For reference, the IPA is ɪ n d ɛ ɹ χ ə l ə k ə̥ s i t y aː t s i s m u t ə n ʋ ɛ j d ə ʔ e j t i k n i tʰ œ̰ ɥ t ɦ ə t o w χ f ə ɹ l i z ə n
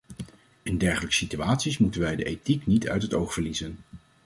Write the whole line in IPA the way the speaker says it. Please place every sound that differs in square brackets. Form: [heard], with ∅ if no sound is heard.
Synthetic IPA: ɪ n d ɛ ɹ χ ə l ə k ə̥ s i t y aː t s i s m u t ə n ʋ ɛ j d ə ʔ e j t i k n i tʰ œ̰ ɥ t ɦ ə t o w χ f ə ɹ l i z ə n

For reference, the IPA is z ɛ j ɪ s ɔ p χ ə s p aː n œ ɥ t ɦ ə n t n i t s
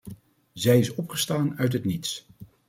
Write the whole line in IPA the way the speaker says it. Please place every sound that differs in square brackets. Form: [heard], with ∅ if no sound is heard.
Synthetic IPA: z ɛ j ɪ s ɔ p χ ə s [t] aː n œ ɥ t ɦ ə [∅] t n i t s

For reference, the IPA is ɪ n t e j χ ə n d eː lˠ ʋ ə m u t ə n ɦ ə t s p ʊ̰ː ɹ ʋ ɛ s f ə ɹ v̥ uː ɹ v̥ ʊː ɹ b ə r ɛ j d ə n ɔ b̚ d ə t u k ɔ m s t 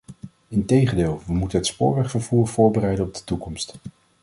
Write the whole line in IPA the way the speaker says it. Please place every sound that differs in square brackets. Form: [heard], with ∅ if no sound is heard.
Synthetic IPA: ɪ n t e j χ ə n d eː lˠ ʋ ə m u t ə n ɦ ə t s p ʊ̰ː ɹ ʋ ɛ [χ] f ə ɹ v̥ uː ɹ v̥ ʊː ɹ b ə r ɛ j d ə n ɔ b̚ d ə t u k ɔ m s t

